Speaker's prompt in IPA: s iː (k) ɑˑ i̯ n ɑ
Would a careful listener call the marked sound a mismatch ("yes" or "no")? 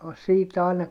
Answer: yes